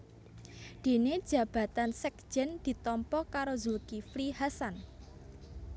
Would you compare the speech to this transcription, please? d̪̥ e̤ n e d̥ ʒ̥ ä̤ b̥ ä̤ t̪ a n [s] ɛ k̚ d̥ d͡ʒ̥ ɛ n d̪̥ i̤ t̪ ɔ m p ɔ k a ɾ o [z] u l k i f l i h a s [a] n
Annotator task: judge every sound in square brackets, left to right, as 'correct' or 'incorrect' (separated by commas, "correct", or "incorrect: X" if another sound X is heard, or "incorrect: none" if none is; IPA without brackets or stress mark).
correct, correct, correct